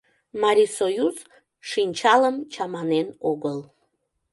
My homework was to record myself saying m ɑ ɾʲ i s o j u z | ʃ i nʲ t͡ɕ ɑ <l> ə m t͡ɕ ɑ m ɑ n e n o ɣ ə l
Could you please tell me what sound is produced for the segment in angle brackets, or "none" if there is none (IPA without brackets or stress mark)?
l